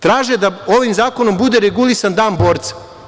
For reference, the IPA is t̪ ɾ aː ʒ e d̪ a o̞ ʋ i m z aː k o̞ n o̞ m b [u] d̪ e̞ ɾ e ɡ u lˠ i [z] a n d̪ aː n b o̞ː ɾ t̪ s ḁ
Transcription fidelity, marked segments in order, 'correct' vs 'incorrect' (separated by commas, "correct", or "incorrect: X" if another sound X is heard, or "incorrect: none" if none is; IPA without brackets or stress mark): correct, incorrect: s